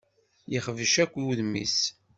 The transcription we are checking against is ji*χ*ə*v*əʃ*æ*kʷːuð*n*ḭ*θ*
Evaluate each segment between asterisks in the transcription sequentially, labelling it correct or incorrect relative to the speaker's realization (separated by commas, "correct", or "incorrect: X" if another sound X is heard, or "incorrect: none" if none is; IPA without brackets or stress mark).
correct, correct, correct, incorrect: m, incorrect: s